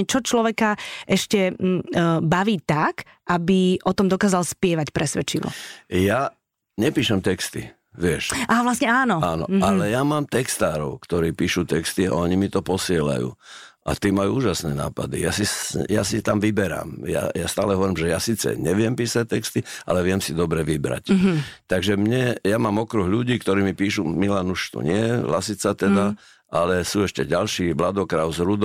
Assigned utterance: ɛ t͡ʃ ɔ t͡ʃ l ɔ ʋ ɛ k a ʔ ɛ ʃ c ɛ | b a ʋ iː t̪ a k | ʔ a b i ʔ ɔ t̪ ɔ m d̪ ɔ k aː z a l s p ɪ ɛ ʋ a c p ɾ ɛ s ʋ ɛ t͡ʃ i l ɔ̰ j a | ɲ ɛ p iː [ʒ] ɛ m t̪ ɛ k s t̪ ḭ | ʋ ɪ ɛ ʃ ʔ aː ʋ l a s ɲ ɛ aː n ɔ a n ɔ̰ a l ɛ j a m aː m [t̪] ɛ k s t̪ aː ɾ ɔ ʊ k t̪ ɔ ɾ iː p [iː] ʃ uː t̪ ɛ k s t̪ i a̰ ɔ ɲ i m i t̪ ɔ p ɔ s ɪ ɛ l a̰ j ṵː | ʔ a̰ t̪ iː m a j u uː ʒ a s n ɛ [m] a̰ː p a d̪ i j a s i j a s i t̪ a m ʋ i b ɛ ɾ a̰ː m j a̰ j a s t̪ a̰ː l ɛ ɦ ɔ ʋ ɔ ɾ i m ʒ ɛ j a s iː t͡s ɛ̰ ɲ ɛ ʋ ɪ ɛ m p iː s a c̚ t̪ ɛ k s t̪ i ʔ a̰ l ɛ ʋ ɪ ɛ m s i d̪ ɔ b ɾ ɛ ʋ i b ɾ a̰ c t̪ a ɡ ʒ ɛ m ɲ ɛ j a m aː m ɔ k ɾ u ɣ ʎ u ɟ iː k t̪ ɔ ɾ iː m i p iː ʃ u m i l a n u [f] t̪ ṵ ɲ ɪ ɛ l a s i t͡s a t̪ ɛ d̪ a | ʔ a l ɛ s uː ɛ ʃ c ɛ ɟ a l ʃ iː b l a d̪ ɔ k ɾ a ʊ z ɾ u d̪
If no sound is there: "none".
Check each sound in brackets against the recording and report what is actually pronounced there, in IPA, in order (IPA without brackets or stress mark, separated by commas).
ʃ, t̪, iː, n, ʃ